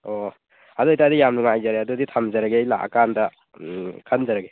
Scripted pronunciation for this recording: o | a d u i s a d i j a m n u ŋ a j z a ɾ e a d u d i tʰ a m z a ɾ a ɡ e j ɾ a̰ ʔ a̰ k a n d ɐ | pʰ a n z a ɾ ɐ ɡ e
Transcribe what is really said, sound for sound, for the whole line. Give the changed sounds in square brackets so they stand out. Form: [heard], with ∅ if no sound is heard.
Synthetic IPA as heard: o | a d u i [t] a d i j a m n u ŋ a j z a ɾ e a d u d i tʰ a m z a ɾ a ɡ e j [l] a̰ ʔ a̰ k a n d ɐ | [kʰ] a n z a ɾ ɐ ɡ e